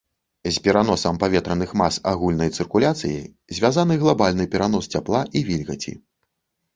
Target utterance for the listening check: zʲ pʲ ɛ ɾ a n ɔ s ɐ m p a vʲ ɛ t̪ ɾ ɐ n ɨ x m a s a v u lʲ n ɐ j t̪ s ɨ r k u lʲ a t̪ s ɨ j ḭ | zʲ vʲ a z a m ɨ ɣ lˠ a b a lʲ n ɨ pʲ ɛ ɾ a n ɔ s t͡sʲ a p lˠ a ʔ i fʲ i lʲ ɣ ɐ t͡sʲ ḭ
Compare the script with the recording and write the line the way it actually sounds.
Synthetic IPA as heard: zʲ pʲ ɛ ɾ a n ɔ s ɐ m p a vʲ ɛ t̪ ɾ ɐ n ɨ x m a s a ɣ u lʲ n ɐ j t̪ s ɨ r k u lʲ a t̪ s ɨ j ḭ | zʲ vʲ a z a n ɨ ɣ lˠ a b a lʲ n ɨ pʲ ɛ ɾ a n ɔ s t͡sʲ a p lˠ a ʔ i vʲ i lʲ ɣ ɐ t͡sʲ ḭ